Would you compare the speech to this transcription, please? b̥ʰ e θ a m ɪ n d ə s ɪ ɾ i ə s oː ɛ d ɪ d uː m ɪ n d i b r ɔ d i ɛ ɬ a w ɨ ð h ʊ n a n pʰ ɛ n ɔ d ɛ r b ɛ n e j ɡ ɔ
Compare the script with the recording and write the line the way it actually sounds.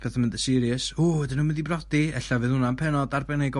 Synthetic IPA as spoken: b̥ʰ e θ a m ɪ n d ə s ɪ ɾ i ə s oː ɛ d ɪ n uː m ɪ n d i b r ɔ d i ɛ ɬ a v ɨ ð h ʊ n a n pʰ ɛ n ɔ d a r b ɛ n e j ɡ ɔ